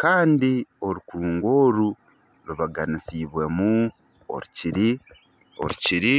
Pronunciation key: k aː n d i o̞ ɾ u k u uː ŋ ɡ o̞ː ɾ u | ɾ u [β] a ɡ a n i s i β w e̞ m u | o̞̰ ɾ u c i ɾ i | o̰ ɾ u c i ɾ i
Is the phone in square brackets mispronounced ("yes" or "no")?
no